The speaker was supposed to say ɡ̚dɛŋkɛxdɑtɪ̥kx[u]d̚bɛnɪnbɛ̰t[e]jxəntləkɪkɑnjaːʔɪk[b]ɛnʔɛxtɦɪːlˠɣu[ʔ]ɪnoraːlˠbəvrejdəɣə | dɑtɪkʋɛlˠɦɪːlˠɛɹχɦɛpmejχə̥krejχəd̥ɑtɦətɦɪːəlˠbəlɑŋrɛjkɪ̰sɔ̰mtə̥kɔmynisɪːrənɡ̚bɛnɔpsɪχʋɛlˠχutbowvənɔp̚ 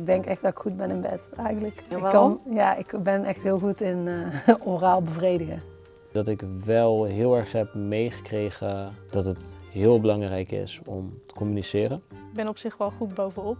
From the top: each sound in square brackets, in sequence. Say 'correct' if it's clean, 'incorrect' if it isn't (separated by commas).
correct, incorrect, correct, incorrect